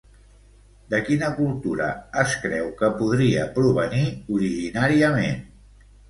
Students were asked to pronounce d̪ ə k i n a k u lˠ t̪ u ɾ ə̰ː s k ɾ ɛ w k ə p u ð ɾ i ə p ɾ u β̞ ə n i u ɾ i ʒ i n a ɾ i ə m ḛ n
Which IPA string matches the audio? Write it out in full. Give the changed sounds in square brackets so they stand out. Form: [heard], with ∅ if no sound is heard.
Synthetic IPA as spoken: d̪ ə k i n [ə] k u lˠ t̪ u ɾ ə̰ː s k ɾ ɛ w k ə p u ð ɾ i ə p ɾ u β̞ ə n i u ɾ i ʒ i n a ɾ i ə m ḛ n